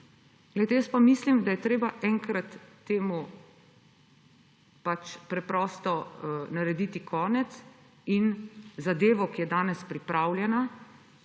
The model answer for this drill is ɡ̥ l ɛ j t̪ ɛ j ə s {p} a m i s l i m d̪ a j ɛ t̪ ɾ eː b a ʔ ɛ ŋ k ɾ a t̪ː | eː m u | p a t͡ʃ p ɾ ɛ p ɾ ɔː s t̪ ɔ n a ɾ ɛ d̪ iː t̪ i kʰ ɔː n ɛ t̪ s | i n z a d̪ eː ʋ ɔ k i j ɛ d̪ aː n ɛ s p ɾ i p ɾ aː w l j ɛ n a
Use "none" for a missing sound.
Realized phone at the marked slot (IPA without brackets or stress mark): p